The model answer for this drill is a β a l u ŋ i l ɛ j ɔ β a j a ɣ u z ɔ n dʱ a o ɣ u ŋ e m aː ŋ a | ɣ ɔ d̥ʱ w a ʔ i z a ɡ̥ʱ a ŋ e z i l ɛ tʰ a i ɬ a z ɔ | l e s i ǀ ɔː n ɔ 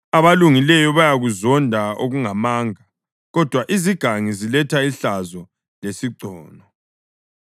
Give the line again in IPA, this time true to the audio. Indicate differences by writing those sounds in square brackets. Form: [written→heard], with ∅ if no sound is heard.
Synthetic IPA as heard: a β a l u ŋ i l ɛ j ɔ β a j a ɣ u z ɔ n dʱ a o ɣ u ŋ [e→a] m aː ŋ a | ɣ ɔ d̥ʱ w a ʔ i z [a→i] ɡ̥ʱ a ŋ [e→i] z i l ɛ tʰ a i ɬ a z ɔ | l e s i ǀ ɔː n ɔ